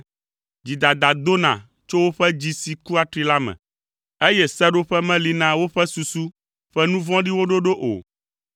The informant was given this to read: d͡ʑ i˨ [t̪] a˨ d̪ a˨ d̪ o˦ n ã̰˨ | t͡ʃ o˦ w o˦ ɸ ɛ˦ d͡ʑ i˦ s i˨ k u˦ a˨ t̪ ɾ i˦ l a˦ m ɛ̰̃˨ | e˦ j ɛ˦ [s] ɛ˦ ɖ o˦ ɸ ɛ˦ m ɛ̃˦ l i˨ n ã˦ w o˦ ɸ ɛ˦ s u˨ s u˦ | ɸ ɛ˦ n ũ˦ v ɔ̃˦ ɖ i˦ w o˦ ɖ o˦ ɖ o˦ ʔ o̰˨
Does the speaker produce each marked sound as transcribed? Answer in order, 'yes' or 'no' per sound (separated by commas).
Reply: no, yes